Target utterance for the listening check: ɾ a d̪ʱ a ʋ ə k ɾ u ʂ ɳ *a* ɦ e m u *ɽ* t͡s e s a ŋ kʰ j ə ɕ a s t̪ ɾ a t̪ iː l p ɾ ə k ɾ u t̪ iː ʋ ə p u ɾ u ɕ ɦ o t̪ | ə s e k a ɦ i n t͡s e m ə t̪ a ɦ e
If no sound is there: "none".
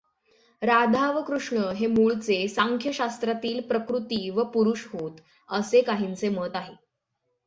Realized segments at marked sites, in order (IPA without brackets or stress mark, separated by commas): ə, ɭ